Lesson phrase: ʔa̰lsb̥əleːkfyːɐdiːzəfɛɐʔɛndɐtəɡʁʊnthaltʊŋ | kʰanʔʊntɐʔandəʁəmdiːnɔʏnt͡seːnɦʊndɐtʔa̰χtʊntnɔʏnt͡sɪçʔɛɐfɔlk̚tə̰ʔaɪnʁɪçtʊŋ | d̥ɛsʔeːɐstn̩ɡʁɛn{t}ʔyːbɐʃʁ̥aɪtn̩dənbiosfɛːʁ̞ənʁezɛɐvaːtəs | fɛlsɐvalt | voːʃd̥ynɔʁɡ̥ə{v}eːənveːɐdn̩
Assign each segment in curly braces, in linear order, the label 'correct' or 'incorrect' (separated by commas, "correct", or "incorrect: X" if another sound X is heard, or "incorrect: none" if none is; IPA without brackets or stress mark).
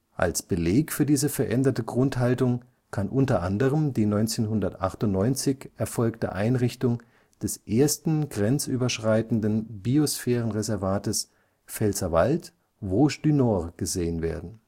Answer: incorrect: t͡s, incorrect: z